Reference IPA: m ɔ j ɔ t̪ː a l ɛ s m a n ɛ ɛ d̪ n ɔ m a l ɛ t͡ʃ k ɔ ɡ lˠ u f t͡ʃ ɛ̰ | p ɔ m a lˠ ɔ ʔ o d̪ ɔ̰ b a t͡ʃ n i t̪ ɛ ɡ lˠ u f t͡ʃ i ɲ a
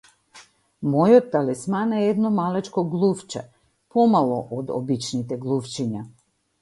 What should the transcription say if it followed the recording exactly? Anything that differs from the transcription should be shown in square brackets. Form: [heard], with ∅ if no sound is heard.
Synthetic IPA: m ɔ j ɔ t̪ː a l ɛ s m a n ɛ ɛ d̪ n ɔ m a l ɛ t͡ʃ k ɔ ɡ lˠ u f t͡ʃ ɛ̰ | p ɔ m a lˠ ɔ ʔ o d̪ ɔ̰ b [i] t͡ʃ n i t̪ ɛ ɡ lˠ u f t͡ʃ i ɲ a